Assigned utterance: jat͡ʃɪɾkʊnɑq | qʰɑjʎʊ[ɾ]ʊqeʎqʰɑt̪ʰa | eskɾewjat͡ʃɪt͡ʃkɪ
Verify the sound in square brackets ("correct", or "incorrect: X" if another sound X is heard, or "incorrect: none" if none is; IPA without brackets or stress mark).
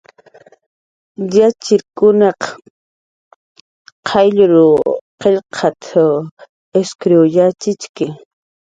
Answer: correct